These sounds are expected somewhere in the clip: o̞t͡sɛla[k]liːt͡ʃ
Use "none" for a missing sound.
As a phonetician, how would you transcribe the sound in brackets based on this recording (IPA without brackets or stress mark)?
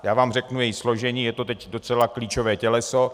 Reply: k